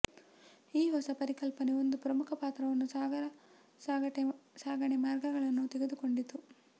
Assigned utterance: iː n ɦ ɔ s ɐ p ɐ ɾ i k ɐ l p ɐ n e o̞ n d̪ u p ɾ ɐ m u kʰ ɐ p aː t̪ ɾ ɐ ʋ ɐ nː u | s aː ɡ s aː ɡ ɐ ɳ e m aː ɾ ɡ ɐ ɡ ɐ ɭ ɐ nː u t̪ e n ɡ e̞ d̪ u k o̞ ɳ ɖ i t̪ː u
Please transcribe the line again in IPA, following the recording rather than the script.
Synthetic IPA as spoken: iː ɦ ɔ s ɐ p ɐ ɾ i k ɐ l p ɐ n e o̞ n d̪ u p ɾ ɐ m u kʰ ɐ p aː t̪ ɾ ɐ ʋ ɐ nː u | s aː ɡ s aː ɡ ɐ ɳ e m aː ɾ ɡ ɐ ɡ ɐ ɭ ɐ nː u t̪ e ɡ e̞ d̪ u k o̞ ɳ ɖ i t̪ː u